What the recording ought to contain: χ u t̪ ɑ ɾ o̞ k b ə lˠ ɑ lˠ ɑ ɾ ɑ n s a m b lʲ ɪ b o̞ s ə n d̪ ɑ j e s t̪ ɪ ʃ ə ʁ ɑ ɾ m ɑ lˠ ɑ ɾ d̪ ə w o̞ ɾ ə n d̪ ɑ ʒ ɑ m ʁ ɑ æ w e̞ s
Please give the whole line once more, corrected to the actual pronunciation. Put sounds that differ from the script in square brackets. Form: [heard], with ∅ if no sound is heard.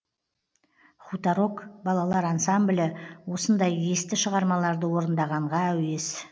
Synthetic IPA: χ u t̪ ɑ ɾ o̞ k b [ɑ] lˠ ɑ lˠ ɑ ɾ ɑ n s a m b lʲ ɪ [w] o̞ s ə n d̪ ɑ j e s t̪ ɪ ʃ ə ʁ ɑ ɾ m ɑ lˠ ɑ ɾ d̪ ə w o̞ ɾ ə n d̪ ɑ [ʁ] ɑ [ɴ] ʁ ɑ æ w e̞ s